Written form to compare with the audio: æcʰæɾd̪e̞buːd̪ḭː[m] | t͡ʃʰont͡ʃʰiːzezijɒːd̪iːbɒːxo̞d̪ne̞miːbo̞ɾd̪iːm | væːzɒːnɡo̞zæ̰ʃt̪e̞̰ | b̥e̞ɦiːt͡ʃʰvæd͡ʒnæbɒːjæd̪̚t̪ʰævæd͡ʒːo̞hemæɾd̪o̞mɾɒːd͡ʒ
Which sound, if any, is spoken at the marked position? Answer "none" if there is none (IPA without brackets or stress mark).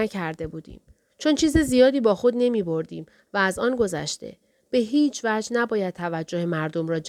m